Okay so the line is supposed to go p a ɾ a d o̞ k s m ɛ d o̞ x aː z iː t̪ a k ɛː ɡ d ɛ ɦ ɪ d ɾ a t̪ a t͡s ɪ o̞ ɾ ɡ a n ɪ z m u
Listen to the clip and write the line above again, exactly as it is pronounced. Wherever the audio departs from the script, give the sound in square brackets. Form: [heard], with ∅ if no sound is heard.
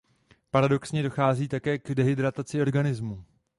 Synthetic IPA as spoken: p a ɾ a d o̞ k s [ɲ] ɛ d o̞ x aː z iː t̪ a k ɛː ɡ d ɛ ɦ ɪ d ɾ a t̪ a t͡s ɪ o̞ ɾ ɡ a n ɪ z m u